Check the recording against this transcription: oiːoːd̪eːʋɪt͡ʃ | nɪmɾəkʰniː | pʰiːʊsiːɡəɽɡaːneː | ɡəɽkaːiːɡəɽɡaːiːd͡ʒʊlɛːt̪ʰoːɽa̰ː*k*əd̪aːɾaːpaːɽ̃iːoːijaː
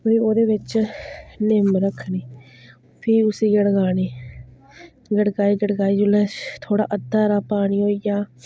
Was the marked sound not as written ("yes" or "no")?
yes